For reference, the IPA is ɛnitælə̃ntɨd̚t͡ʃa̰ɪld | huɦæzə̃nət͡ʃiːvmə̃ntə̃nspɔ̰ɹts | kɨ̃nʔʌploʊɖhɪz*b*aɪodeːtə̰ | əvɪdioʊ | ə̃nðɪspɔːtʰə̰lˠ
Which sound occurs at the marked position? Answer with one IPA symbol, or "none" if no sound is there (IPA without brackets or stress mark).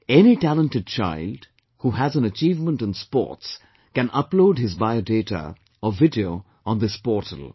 b